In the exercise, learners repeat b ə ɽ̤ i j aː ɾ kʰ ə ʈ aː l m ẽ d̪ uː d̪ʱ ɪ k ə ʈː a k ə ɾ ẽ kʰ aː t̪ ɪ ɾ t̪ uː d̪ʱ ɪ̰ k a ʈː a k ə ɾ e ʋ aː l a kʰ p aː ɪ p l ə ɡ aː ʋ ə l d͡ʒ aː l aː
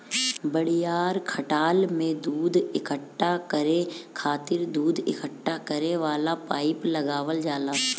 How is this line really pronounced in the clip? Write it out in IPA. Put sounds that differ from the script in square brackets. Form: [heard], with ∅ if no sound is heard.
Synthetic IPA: b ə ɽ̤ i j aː ɾ kʰ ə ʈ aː l m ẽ d̪ uː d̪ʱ ɪ k ə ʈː a k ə ɾ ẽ kʰ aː t̪ ɪ ɾ [d̪] uː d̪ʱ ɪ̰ k [ə] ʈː a k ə ɾ e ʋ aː l a [∅] p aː ɪ p l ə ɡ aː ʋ ə l d͡ʒ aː l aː